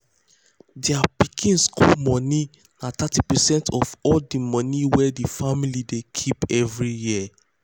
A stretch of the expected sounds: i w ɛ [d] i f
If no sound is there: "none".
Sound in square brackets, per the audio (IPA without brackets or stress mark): d